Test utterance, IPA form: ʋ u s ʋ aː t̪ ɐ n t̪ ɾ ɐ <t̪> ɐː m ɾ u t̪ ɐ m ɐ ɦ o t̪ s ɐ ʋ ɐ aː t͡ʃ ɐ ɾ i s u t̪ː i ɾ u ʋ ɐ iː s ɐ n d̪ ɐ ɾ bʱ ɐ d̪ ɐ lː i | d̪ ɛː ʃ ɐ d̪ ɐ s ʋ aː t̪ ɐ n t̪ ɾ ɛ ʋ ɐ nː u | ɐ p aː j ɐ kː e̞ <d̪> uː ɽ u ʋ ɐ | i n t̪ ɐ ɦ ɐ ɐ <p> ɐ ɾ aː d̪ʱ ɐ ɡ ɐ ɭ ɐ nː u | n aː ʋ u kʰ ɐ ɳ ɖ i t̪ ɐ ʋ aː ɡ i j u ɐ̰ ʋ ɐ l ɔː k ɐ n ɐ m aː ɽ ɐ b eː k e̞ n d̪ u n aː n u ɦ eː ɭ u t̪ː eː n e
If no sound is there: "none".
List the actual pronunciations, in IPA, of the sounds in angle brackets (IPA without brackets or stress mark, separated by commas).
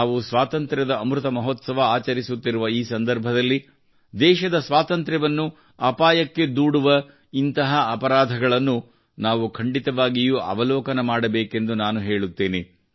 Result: d̪, d̪, p